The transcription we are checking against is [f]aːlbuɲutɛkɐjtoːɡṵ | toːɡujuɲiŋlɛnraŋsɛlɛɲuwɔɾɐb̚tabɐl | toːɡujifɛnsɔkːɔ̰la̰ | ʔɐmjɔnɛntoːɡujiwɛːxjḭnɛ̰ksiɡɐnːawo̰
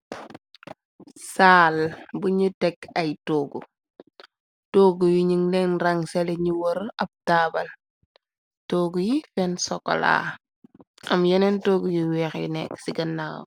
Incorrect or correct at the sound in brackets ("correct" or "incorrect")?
incorrect